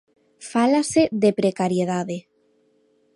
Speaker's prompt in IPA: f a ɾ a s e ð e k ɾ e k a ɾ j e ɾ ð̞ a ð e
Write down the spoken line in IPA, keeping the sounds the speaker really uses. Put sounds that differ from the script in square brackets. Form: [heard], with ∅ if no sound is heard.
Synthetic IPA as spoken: f a [l] a s e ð e [p] ɾ e k a ɾ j e [∅] ð̞ a ð e